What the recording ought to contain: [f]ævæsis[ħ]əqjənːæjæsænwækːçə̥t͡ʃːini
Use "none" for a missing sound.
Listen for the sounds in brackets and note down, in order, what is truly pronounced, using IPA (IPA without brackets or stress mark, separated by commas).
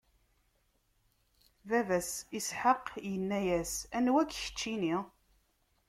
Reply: v, ħ